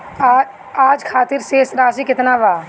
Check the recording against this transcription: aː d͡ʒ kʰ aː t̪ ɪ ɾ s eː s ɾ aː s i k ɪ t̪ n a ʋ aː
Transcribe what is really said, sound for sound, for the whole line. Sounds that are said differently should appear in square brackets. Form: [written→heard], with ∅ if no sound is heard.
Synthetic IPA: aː d͡ʒ kʰ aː t̪ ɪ ɾ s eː s ɾ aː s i k ɪ t̪ n a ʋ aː